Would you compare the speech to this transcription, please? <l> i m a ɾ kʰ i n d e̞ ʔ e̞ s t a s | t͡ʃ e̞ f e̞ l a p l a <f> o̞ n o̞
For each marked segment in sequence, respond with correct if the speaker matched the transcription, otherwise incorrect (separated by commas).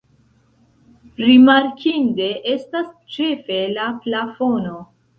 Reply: incorrect, correct